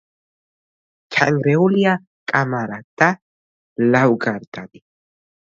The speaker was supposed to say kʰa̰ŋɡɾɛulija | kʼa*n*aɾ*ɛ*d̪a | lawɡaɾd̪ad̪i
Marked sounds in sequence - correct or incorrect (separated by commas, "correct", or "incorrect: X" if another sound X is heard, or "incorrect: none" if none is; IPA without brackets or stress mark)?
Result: incorrect: m, incorrect: a